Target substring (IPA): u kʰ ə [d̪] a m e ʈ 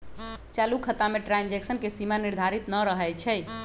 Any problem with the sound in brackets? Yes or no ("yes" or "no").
yes